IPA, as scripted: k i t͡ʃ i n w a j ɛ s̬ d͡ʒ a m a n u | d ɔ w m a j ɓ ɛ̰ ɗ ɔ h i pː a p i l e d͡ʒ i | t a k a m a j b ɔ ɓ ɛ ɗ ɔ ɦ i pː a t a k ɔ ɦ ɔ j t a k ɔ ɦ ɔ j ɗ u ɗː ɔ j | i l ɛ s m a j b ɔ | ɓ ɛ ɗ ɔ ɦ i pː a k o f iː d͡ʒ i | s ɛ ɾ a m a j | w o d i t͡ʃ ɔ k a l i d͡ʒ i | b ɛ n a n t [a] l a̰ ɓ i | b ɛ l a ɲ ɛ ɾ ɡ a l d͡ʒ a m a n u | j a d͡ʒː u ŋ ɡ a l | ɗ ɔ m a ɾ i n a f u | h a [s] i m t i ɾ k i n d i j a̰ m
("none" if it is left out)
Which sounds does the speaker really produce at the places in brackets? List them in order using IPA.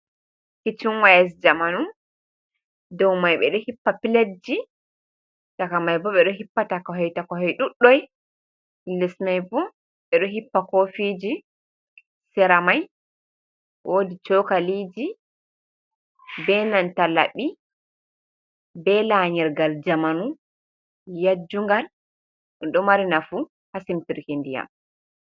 a, s

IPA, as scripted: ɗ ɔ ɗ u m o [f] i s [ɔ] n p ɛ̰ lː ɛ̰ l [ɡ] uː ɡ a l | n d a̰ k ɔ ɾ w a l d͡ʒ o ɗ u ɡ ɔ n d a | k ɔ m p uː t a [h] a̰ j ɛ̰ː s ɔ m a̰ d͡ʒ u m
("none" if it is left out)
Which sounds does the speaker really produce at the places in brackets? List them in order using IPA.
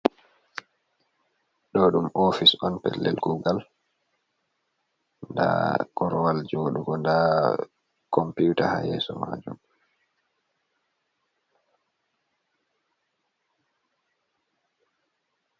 f, ɔ, ɡ, h

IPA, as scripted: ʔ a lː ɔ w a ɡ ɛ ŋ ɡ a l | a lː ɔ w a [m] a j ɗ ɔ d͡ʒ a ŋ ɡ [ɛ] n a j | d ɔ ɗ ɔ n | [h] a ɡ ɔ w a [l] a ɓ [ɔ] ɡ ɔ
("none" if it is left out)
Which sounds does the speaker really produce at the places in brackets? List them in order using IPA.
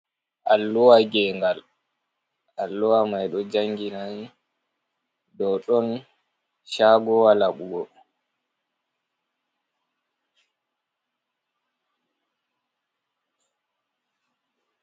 m, i, ʃ, l, u

